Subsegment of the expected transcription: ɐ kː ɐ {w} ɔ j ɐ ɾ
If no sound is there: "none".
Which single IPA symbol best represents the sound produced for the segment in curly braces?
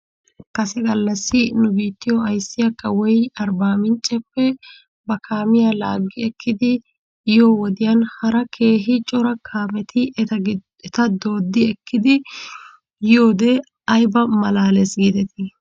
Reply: w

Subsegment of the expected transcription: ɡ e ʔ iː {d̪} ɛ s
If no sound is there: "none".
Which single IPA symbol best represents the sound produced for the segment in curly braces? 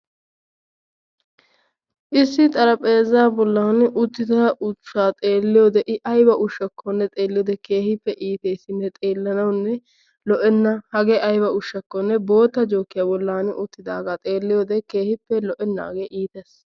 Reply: t̪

